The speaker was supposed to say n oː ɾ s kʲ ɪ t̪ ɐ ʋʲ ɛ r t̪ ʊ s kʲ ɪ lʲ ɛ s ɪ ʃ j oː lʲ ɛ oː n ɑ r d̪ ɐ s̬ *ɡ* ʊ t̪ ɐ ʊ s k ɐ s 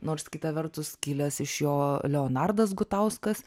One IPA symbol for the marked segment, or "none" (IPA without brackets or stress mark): ɡ